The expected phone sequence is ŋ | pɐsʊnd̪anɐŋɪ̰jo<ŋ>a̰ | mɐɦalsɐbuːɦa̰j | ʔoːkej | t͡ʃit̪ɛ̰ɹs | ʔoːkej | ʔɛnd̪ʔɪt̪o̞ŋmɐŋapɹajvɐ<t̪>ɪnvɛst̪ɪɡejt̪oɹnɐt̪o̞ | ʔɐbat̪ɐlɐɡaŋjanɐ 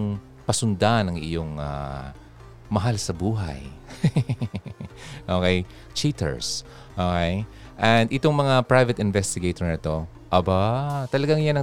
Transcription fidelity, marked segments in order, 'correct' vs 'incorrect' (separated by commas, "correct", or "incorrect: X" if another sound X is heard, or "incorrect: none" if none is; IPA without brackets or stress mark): correct, correct